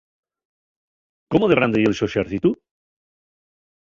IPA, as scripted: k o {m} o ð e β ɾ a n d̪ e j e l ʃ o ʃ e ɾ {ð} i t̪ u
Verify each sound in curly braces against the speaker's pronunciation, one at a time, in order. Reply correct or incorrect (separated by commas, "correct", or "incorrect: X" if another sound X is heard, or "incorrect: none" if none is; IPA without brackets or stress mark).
correct, incorrect: θ